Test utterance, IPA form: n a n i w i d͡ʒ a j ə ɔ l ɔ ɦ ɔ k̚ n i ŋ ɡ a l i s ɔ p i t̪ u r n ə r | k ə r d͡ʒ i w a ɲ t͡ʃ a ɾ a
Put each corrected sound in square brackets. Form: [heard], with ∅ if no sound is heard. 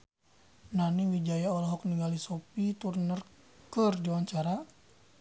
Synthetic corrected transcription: n a n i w i d͡ʒ a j [a] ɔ l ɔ ɦ ɔ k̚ n i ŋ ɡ a l i s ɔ p i t̪ u r n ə r | k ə r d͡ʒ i w a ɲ t͡ʃ a ɾ a